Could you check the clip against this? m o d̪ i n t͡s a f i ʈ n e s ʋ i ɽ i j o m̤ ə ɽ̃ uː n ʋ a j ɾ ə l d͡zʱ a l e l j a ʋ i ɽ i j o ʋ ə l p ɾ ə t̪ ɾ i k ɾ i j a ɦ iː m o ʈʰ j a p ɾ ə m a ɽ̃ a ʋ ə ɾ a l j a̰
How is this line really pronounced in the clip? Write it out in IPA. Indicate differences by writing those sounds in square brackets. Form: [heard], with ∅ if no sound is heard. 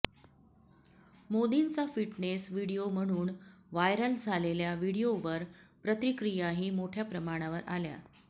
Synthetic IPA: m o d̪ i n t͡s a f i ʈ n e s ʋ i ɽ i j o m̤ ə ɽ̃ uː n ʋ a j ɾ ə l d͡zʱ a l e l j a ʋ i ɽ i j o ʋ ə [ɾ] p ɾ ə t̪ ɾ i k ɾ i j a ɦ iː m o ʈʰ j a p ɾ ə m a ɽ̃ a ʋ ə ɾ a l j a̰

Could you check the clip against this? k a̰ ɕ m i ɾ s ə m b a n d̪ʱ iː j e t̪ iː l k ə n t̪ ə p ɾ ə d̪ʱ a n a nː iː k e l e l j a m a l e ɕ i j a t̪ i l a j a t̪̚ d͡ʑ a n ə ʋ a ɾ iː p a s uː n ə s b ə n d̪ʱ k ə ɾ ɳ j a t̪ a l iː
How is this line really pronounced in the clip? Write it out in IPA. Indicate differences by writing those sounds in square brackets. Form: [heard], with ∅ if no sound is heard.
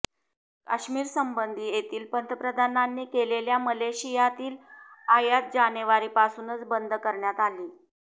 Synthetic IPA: k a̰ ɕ m [iː] ɾ s ə m b [ə] n d̪ʱ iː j e t̪ iː l [p] ə n t̪ ə p ɾ ə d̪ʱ a n a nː iː k e l e l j a m [ə] l e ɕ i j a t̪ [iː] l a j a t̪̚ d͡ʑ a n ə ʋ a ɾ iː p a s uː n ə [t͡s] b ə n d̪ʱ k ə ɾ ɳ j a t̪ a l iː

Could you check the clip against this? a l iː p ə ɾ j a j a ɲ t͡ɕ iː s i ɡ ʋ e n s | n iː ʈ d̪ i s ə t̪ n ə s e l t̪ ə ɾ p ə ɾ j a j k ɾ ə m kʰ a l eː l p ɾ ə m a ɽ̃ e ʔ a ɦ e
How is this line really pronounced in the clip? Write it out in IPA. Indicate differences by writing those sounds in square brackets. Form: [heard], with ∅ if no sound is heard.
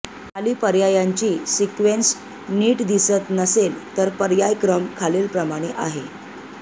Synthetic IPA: a l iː p ə ɾ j a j a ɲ t͡ɕ iː s i [k] ʋ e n s | n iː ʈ d̪ i s ə t̪ n ə s e l t̪ ə ɾ p ə ɾ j a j k ɾ ə m kʰ a l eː l p ɾ ə m a ɽ̃ e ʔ a ɦ e

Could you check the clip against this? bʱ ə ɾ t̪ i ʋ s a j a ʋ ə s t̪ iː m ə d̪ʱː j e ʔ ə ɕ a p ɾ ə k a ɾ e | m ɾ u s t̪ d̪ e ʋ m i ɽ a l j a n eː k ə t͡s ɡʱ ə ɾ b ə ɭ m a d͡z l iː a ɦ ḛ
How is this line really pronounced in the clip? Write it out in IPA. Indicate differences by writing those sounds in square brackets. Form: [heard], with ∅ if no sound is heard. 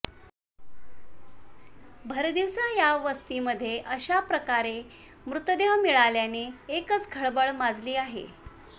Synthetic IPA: bʱ ə ɾ [d̪] i ʋ s a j a ʋ ə s t̪ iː m ə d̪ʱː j e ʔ ə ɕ a p ɾ ə k a ɾ e | m ɾ u [∅] t̪ d̪ e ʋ m i [ɭ] a l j a n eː k ə t͡s ɡʱ ə [ɭ] b ə ɭ m a d͡z l iː a ɦ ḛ

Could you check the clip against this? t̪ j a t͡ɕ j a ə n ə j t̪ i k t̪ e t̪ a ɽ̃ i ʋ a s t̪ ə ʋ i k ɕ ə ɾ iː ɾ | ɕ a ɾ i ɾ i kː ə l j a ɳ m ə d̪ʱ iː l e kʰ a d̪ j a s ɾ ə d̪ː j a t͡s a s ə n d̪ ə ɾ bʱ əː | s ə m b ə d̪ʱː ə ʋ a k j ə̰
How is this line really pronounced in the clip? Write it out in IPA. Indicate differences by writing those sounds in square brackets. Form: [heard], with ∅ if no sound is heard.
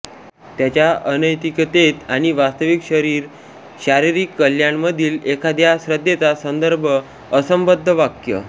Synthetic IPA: t̪ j a t͡ɕ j a ə n ə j t̪ i k t̪ e t̪ a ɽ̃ i ʋ a s t̪ ə ʋ i k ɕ ə ɾ iː ɾ | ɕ a ɾ i ɾ i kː ə l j a ɳ m ə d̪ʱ iː l e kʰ a d̪ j a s ɾ ə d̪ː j [e] t͡s a s ə n d̪ ə ɾ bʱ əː | s ə m b ə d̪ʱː ə ʋ a k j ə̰

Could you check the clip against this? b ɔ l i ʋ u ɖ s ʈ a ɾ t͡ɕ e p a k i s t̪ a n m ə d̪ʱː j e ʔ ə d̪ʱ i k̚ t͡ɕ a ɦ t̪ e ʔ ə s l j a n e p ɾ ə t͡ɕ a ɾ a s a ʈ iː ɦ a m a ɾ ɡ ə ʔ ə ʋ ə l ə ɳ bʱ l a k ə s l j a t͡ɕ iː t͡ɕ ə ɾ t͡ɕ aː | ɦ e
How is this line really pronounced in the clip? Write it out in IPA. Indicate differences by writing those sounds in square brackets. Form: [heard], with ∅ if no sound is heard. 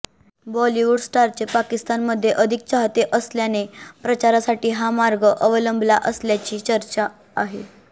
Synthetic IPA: b ɔ l i ʋ u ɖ s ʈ a ɾ t͡ɕ e p a k i s t̪ a n m ə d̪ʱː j e ʔ ə d̪ʱ i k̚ t͡ɕ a ɦ t̪ e ʔ ə s l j a n e p ɾ ə t͡ɕ a ɾ a s a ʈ iː ɦ a m a ɾ ɡ ə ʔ ə ʋ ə l ə [m] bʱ l a [ʔ] ə s l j a t͡ɕ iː t͡ɕ ə ɾ t͡ɕ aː | ɦ e

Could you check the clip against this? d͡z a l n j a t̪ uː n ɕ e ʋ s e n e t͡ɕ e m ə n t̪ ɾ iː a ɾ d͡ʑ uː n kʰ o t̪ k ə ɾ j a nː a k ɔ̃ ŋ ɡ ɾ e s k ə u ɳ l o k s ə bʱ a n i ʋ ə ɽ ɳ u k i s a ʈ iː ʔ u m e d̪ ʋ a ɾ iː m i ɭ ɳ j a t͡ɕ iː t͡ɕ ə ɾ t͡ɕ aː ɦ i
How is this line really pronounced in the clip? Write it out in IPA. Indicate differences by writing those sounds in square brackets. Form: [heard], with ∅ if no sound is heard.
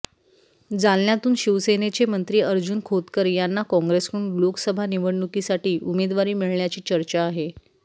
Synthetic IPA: d͡z a l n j a t̪ uː n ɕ [i] ʋ s e n e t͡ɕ e m ə n t̪ ɾ iː [ə] ɾ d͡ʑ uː n kʰ o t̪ k ə ɾ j a nː a k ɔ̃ ŋ ɡ ɾ e s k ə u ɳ l o k s ə bʱ a n i ʋ ə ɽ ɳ u k i s a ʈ iː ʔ u m e d̪ ʋ a ɾ iː m i ɭ ɳ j a t͡ɕ iː t͡ɕ ə ɾ t͡ɕ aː ɦ [e]

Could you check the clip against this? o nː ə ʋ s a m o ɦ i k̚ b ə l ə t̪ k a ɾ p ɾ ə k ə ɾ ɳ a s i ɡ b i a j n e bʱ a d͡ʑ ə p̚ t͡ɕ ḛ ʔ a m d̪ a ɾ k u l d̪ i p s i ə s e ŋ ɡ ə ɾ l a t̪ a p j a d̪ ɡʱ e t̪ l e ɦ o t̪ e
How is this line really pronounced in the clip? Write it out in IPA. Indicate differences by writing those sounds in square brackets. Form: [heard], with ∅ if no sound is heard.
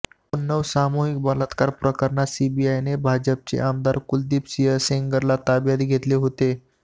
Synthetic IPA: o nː ə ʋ s a m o ɦ i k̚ b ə l ə t̪ k a ɾ p ɾ ə k ə ɾ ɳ a s i [∅] b i a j n e bʱ a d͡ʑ ə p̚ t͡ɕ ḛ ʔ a m d̪ a ɾ k u l d̪ i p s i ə s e ŋ ɡ ə ɾ l a t̪ a [b] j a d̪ ɡʱ e t̪ l e ɦ o t̪ e

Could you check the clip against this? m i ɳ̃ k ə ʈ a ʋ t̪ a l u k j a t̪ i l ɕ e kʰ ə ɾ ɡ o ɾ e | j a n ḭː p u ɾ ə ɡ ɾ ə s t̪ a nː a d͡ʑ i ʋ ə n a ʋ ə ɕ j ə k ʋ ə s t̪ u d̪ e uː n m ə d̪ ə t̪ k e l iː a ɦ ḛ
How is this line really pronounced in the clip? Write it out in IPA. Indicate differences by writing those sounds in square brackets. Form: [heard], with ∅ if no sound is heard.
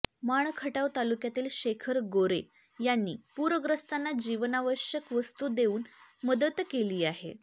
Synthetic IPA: m [a] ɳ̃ [kʰ] ə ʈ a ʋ t̪ a l u k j a t̪ [iː] l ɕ e kʰ ə ɾ ɡ o ɾ e | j a [nː] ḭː p u ɾ ə ɡ ɾ ə s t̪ a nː a d͡ʑ i ʋ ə n a ʋ ə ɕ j ə k ʋ ə s t̪ u d̪ e uː n m ə d̪ ə t̪ k e l iː a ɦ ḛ

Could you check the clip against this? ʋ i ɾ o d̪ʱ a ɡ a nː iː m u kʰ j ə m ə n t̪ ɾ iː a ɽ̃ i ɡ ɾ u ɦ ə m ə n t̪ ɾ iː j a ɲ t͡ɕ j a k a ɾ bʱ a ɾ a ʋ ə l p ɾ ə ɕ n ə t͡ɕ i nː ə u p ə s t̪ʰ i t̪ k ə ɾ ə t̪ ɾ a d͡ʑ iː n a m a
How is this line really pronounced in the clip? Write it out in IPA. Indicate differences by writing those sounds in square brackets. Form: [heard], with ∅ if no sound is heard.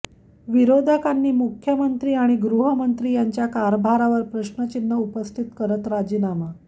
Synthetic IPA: ʋ i ɾ o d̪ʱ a [k] a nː iː m u kʰ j ə m ə n t̪ ɾ iː a ɽ̃ i ɡ ɾ u ɦ ə m ə n t̪ ɾ iː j a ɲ t͡ɕ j a k a ɾ bʱ a ɾ a ʋ ə [ɾ] p ɾ ə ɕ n ə t͡ɕ i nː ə u p ə s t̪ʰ i t̪ k ə ɾ ə t̪ ɾ a d͡ʑ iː n a m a

